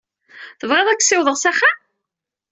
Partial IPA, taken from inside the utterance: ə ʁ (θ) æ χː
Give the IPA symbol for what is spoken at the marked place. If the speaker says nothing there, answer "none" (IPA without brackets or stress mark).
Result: s